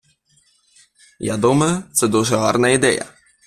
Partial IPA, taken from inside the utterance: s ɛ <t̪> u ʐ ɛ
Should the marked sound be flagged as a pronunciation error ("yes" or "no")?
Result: yes